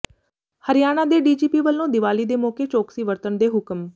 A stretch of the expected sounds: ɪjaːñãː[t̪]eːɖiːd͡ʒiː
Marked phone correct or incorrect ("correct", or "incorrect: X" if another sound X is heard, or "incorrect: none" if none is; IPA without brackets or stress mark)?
incorrect: d̪